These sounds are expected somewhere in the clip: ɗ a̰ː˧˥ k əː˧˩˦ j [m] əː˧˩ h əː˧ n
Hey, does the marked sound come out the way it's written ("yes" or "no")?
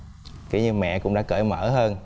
yes